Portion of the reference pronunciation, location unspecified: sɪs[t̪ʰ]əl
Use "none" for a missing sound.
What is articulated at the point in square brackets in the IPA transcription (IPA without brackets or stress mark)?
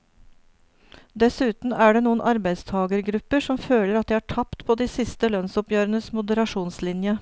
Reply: t̪